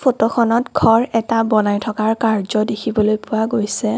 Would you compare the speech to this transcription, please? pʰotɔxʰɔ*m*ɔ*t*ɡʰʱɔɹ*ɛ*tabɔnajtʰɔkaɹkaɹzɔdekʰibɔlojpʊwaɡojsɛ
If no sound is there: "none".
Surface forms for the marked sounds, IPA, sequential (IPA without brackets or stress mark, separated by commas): n, t, ɛ